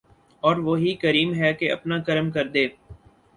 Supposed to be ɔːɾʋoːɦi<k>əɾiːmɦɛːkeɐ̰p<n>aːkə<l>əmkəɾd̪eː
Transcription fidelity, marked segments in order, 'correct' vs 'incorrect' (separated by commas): correct, correct, incorrect